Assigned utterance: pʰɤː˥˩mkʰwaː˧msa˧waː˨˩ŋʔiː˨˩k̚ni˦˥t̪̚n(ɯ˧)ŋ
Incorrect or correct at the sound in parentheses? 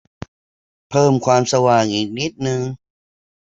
correct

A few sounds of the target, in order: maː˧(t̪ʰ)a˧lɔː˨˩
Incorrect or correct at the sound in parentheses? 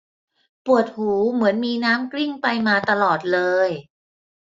incorrect: t̪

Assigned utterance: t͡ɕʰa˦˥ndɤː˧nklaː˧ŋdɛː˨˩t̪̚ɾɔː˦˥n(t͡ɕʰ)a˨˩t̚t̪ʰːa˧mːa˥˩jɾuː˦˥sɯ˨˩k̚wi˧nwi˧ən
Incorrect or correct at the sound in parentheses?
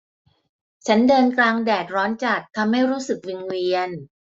incorrect: t͡ɕ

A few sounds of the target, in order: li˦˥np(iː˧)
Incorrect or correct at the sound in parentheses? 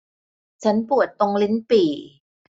incorrect: iː˨˩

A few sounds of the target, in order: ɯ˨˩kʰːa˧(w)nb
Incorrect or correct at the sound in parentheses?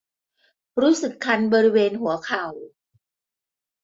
incorrect: none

